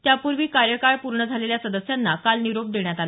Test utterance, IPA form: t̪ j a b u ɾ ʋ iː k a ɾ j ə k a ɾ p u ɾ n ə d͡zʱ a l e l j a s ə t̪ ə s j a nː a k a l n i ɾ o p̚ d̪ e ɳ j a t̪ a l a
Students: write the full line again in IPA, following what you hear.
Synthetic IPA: t̪ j a p u ɾ ʋ iː k a ɾ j ə k a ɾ p u ɾ ɳ ə d͡zʱ a l e l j a s ə d̪ ə s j a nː a k a l n i ɾ o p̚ d̪ e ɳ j a t̪ a l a

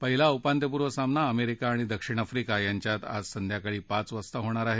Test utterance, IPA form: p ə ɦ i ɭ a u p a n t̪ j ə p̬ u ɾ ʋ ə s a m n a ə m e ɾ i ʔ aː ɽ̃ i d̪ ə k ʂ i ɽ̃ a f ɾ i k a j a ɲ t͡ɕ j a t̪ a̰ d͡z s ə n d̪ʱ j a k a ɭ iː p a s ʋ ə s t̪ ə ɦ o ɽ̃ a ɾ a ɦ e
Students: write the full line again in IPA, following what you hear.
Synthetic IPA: p ə ɦ i l a u p a n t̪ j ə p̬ u ɾ ʋ ə s a m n a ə m e ɾ i k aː ɽ̃ i d̪ ə k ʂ i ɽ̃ a f ɾ i k a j a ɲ t͡ɕ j a t̪ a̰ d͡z s ə n d̪ʱ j a k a ɭ iː p a t͡s ʋ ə s t̪ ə ɦ o ɽ̃ a ɾ a ɦ e

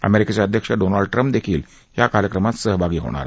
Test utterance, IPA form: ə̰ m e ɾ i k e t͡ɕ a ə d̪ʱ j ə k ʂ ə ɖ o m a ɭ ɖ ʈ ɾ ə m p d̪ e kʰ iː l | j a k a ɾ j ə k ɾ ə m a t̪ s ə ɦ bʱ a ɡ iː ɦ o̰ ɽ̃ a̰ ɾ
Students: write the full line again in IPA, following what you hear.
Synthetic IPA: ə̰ m e ɾ i k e t͡ɕ a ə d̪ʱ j ə k ʂ ə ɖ o n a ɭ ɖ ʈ ɾ ə m p d̪ e kʰ iː l | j a k a ɾ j ə k ɾ ə m a t̪ s ə ɦ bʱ a ɡ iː ɦ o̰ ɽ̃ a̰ ɾ

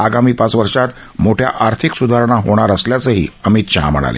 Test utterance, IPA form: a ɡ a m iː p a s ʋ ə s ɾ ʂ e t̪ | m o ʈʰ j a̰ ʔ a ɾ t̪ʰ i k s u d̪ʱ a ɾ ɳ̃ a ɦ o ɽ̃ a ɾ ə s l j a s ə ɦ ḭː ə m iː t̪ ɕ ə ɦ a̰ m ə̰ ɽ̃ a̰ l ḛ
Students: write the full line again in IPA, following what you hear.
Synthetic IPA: a ɡ a m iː p a t͡s ʋ ə ɾ ʂ a t̪ | m o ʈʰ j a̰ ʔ a ɾ t̪ʰ i k s u d̪ʱ a ɾ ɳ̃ a ɦ o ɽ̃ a ɾ ə s l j a t͡s ə ɦ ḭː ə m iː t̪ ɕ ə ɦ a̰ m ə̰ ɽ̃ a̰ l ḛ

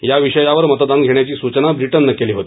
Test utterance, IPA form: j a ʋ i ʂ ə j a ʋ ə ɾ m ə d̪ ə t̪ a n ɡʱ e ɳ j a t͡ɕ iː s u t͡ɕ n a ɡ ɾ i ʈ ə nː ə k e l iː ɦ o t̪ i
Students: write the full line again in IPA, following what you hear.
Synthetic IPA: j a ʋ i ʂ ə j a ʋ ə ɾ m ə t̪ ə d̪ a n ɡʱ e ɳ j a t͡ɕ iː s u t͡ɕ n a b ɾ i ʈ ə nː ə k e l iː ɦ o t̪ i

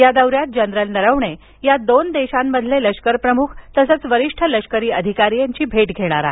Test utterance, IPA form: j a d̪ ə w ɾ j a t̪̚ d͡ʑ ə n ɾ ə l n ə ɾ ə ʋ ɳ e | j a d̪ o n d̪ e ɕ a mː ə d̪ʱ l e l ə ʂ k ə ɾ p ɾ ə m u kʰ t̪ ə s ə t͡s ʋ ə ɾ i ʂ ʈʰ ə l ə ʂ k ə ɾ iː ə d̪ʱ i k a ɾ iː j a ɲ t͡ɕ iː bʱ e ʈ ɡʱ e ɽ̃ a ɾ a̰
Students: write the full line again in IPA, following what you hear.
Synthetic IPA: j a d̪ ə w ɾ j a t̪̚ d͡ʑ ə n ɾ ə l n ə ɾ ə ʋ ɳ e | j a d̪ o n d̪ e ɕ a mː ə d̪ʱ l e l ə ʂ k ə ɾ p ɾ ə m u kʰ t̪ ə s ə t͡s ʋ ə ɾ i ʂ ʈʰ ə l ə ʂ k ə ɾ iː ə d̪ʱ i k a ɾ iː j a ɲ t͡ɕ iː bʱ e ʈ ɡʱ e ɽ̃ a ɾ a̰

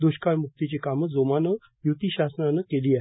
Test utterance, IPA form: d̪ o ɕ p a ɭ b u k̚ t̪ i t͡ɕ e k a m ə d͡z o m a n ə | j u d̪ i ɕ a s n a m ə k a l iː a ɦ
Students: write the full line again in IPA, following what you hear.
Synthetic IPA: d̪ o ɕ k a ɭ m u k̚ t̪ i t͡ɕ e k a m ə d͡z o m a n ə | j u t̪ i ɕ a s n a n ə k e l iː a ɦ

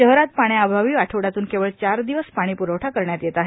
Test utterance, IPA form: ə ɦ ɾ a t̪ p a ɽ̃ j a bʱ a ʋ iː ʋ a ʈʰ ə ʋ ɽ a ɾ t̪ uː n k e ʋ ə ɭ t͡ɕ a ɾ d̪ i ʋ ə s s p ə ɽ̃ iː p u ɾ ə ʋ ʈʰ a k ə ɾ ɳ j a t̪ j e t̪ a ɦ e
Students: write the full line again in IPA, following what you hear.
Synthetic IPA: ə ɦ ɾ a t̪ p a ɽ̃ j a bʱ a ʋ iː ʋ a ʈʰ ə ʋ ɽ a t̪ uː n k e ʋ ə ɭ t͡ɕ a ɾ d̪ i ʋ ə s s p a ɽ̃ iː p u ɾ ə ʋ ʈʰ a k ə ɾ ɳ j a t̪ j e t̪ a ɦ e

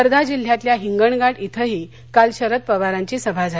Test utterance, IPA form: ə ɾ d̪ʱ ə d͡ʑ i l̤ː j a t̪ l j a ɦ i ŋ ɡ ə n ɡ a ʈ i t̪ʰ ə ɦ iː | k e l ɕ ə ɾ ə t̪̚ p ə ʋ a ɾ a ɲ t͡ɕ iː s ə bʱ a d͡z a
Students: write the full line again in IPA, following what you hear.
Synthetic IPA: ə ɾ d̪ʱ a d͡ʑ i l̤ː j a t̪ l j a ɦ i ŋ ɡ ə ɳ ɡ a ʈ i t̪ʰ ə ɦ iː | k a l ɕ ə ɾ ə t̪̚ p ə ʋ a ɾ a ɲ t͡ɕ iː s ə bʱ a d͡z a

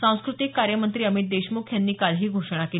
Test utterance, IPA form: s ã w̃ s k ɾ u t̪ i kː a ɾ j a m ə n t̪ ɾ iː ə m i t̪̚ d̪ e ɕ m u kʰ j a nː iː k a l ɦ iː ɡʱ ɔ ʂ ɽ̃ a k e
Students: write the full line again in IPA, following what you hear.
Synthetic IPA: s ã w̃ s k ɾ u t̪ i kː a ɾ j ə m ə n t̪ ɾ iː ə m i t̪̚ d̪ e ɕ m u kʰ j a nː iː k a l ɦ iː ɡʱ o ʂ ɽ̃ a k e

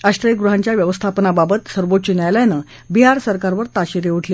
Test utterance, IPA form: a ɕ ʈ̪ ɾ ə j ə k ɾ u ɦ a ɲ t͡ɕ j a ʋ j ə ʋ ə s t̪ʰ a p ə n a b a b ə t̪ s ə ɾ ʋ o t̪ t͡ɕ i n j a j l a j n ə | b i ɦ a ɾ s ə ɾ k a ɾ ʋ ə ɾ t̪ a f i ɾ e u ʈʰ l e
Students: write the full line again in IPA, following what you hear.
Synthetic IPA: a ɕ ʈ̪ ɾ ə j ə ɡ ɾ u ɦ a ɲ t͡ɕ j a ʋ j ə ʋ ə s t̪ʰ a p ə n a b a b ə t̪ s ə ɾ ʋ o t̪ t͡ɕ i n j a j l a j n ə | b i ɦ a ɾ s ə ɾ k a ɾ ʋ ə ɾ t̪ a ɕ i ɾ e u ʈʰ l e

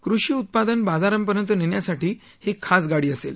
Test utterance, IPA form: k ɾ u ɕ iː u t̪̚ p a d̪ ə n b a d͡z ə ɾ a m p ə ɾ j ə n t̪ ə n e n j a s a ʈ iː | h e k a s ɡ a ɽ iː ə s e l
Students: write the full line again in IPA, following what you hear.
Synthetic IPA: k ɾ u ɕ iː u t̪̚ p a d̪ ə n b a d͡z a ɾ ə m p ə ɾ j ə n t̪ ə n e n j a s a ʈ iː | h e kʰ a s ɡ a ɽ iː ə s e l

